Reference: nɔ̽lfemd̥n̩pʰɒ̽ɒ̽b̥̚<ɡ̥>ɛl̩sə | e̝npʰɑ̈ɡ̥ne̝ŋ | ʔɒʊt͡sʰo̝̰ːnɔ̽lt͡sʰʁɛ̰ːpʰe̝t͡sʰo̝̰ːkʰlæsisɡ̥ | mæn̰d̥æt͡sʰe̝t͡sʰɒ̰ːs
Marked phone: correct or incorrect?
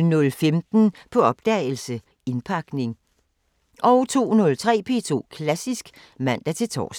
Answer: incorrect